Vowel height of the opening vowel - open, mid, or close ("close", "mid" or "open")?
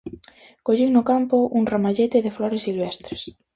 mid